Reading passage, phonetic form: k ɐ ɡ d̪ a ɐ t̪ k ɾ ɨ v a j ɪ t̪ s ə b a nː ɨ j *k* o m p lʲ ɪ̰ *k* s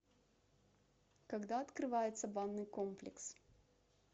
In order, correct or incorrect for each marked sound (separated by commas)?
correct, correct